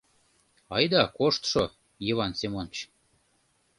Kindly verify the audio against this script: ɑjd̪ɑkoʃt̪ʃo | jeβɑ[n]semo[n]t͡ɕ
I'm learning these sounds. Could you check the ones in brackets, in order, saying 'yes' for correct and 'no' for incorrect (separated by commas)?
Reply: yes, yes